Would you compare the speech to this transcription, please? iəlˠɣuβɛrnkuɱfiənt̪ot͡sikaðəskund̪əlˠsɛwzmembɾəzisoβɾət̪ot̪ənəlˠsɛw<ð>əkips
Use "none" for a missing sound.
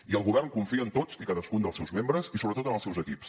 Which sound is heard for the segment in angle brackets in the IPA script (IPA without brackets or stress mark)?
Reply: z